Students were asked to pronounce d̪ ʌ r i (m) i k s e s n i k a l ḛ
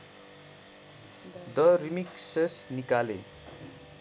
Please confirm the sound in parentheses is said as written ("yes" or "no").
yes